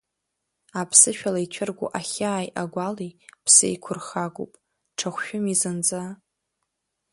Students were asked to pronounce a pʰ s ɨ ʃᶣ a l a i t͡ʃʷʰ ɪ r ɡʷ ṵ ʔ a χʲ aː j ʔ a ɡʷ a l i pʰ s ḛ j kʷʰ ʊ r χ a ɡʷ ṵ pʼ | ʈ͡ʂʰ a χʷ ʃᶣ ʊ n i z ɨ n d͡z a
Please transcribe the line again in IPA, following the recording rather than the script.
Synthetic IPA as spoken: a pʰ s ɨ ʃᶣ a l a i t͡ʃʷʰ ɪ r ɡʷ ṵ ʔ a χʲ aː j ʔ a ɡʷ a l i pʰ s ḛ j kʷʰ ʊ r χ a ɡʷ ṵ pʼ | ʈ͡ʂʰ a χʷ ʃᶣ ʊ m i z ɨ n d͡z a

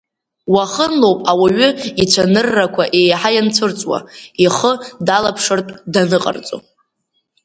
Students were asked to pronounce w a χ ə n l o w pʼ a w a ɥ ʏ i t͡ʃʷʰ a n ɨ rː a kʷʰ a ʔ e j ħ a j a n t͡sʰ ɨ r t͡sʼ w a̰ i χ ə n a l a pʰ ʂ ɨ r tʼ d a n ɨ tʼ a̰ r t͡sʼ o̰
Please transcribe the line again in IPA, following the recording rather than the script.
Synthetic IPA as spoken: w a χ ə n l o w pʼ a w a ɥ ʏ i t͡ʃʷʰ a n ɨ rː a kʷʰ a ʔ e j ħ a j a n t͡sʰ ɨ r t͡sʼ w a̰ i χ ə d a l a pʰ ʂ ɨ r tʼ d a n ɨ qʼ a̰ r t͡sʼ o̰

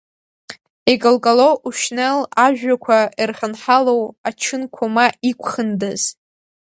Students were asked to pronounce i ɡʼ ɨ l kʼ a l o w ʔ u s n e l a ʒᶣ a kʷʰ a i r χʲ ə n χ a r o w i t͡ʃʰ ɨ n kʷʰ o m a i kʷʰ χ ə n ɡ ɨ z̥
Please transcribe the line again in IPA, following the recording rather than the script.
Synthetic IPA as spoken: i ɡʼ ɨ l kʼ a l o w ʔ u ʃ n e l a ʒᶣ a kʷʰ a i r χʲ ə n ħ a l o w a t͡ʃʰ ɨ n kʷʰ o m a i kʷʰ χ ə n d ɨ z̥

